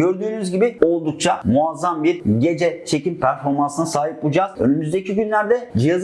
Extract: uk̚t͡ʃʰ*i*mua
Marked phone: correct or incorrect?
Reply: incorrect